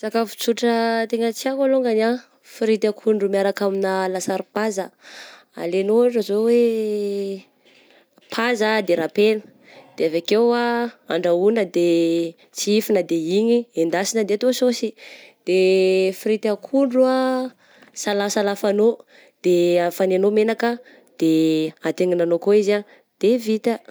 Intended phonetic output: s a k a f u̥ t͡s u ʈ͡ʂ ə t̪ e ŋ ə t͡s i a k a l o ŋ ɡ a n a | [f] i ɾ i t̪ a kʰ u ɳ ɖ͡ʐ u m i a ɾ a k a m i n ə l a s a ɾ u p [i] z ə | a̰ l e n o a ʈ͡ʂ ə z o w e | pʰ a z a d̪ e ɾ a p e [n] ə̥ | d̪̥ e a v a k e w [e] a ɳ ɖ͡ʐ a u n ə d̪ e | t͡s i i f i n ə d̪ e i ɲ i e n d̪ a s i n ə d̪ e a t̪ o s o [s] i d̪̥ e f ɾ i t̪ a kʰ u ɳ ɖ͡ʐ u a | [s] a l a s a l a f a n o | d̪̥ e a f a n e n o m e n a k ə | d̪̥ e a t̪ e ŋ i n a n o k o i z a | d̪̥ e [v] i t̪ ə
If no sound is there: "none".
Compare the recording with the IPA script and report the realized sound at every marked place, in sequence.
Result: f, a, n, a, s, s, v

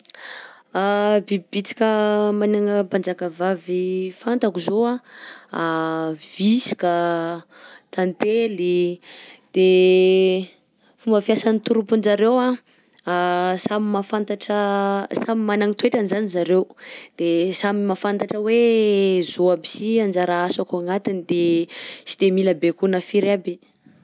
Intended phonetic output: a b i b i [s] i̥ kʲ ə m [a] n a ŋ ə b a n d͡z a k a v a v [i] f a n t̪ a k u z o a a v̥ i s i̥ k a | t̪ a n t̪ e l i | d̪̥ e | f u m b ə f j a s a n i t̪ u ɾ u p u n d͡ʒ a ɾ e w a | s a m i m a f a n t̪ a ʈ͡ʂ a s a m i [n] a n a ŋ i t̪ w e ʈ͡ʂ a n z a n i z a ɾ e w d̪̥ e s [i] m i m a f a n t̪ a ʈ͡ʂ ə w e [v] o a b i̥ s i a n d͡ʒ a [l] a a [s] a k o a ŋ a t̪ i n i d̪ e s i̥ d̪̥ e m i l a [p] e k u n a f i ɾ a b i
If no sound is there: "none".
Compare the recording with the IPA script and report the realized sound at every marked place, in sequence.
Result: t͡s, a, i, m, a, z, ɾ, s, b

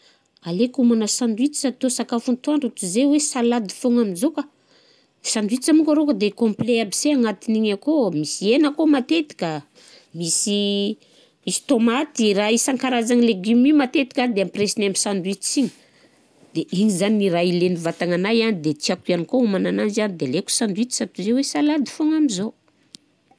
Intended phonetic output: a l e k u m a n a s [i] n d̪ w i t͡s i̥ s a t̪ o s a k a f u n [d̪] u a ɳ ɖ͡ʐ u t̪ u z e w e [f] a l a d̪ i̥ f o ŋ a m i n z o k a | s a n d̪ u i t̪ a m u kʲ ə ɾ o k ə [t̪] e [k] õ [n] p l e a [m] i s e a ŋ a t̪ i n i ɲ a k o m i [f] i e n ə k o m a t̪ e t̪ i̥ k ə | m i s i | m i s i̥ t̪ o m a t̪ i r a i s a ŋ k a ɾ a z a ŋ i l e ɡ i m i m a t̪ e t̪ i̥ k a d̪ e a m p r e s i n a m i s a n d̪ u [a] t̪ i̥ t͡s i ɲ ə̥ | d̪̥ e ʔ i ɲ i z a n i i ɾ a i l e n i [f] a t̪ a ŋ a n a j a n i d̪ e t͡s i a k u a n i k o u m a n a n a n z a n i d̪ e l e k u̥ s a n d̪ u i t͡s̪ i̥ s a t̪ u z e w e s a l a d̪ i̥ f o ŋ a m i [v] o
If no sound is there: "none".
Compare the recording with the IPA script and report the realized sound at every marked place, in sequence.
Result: a, t̪, s, d̪, k, m, b, s, i, v, z

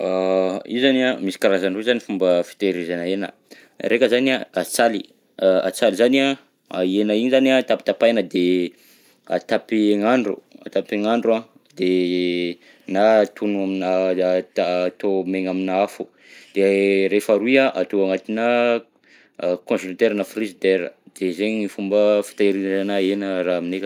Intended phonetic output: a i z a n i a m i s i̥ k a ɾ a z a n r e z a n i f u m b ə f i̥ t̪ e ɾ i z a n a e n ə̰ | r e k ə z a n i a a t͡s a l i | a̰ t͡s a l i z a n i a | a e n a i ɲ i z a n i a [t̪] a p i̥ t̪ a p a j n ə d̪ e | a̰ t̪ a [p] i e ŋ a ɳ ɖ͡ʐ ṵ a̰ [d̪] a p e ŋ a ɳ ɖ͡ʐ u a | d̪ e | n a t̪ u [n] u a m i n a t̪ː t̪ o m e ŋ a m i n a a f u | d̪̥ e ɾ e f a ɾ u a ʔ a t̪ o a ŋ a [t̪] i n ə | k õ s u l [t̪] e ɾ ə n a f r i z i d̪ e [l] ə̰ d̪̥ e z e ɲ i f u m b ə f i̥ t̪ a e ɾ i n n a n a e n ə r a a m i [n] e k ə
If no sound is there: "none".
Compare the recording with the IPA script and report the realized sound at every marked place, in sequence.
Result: t̪, p, t̪, n, t̪, t̪, ɾ, n

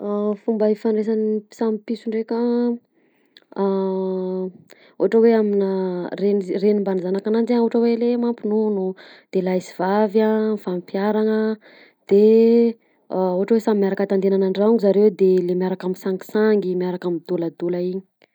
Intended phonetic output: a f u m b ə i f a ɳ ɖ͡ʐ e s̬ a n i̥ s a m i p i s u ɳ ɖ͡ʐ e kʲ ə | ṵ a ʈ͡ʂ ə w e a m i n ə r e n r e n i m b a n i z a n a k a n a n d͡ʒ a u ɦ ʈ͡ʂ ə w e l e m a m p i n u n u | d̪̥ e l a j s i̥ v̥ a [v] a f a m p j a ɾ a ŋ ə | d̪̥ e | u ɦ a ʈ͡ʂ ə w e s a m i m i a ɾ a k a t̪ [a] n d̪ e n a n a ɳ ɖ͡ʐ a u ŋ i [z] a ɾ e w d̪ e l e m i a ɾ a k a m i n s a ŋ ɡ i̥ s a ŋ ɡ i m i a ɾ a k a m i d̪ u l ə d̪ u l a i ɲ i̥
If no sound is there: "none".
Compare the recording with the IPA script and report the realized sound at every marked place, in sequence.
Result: v, a, z

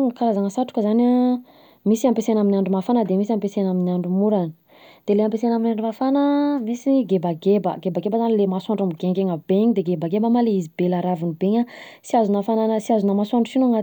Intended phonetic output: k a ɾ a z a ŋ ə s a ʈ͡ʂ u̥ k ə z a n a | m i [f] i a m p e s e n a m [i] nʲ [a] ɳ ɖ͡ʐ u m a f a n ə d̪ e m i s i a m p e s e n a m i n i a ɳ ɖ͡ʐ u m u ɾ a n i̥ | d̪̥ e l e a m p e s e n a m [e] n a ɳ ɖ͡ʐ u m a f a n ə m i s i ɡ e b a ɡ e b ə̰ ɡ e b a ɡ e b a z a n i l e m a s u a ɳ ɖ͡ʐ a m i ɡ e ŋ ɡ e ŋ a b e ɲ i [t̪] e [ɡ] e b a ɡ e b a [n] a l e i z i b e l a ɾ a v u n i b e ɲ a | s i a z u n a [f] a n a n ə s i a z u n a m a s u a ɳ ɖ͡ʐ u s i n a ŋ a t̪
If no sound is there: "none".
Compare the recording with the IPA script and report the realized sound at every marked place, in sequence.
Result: s, i, a, i, d̪, ɡ, m, f

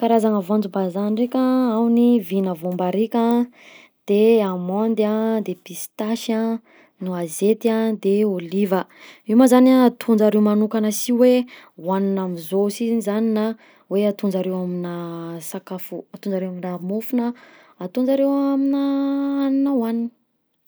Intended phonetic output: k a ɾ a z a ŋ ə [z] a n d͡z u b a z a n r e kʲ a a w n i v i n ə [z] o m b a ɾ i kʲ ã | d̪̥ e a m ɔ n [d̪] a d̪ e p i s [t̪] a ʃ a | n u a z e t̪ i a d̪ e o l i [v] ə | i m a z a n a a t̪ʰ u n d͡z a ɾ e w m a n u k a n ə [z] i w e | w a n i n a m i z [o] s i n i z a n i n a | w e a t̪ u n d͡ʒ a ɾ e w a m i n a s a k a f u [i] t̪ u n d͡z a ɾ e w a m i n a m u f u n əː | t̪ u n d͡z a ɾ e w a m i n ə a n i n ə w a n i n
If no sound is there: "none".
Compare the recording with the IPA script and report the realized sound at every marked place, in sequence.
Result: v, v, d̪, t̪, v, s, o, a

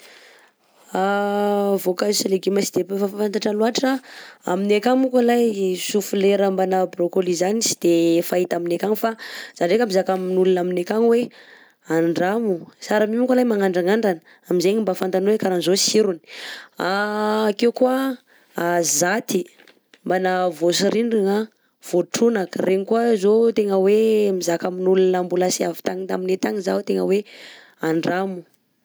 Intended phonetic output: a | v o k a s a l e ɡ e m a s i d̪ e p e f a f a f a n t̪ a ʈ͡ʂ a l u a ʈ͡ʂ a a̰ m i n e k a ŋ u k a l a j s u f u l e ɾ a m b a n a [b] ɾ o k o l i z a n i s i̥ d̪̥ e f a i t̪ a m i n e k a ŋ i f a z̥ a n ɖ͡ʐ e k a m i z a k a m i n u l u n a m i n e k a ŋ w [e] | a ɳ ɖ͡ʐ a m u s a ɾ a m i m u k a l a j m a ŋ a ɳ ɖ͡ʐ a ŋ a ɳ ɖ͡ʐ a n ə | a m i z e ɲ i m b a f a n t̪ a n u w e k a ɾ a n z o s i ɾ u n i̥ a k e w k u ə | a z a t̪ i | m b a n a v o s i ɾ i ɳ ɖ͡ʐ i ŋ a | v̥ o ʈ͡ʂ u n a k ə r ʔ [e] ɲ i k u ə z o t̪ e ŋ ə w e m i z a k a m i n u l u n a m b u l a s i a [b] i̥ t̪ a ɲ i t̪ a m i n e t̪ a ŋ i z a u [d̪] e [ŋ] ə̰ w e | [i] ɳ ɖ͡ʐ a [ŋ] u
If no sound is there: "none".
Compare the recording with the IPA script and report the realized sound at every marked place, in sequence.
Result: b, e, e, v, t̪, ŋ, a, m

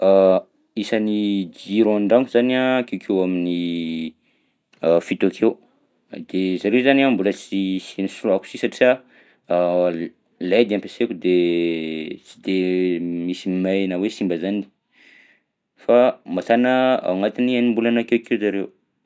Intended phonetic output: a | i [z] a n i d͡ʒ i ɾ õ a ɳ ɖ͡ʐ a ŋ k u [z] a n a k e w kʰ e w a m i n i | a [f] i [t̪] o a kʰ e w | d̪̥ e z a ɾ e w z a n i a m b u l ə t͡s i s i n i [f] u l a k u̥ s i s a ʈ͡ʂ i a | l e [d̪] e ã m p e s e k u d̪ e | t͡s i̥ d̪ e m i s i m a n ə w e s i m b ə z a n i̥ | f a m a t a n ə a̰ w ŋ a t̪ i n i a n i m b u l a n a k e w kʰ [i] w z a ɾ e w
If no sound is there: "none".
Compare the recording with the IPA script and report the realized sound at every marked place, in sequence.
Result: s, z, f, t̪, s, d̪, e

